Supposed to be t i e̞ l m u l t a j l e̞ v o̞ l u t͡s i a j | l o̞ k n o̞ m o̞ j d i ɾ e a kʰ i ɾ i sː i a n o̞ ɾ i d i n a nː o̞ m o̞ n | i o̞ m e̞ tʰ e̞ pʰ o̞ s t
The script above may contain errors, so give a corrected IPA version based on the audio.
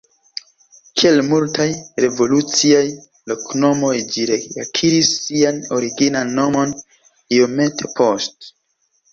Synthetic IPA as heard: k i e̞ l m u l t a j ɾ e̞ v o̞ l u t͡s i a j | l o̞ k n o̞ m o̞ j d͡ʒ i ɾ e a kʰ i ɾ i sː i a n o̞ ɾ i ɡ i n a nː o̞ m o̞ n | i o̞ m e̞ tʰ e̞ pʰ o̞ s t